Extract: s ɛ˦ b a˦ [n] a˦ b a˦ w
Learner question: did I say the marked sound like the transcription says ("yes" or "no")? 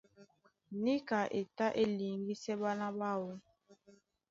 yes